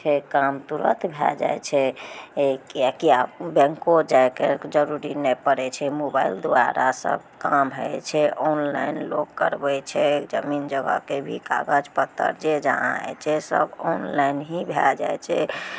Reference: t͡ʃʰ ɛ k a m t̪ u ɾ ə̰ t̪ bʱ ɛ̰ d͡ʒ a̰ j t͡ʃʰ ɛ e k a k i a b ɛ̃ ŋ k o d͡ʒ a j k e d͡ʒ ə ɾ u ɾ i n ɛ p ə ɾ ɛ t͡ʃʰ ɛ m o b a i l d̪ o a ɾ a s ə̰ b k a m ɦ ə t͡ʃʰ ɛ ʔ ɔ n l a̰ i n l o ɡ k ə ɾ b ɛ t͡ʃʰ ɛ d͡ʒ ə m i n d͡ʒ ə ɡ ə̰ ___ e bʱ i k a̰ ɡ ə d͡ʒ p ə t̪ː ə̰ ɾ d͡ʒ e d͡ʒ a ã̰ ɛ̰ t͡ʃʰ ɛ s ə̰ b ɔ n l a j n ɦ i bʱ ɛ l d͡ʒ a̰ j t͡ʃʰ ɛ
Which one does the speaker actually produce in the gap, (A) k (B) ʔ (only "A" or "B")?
A